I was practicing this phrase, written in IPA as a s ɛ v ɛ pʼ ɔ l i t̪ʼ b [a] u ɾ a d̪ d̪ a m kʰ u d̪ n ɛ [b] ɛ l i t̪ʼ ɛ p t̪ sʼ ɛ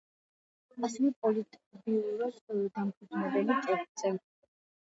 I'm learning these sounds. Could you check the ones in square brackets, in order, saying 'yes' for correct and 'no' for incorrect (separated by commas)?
no, yes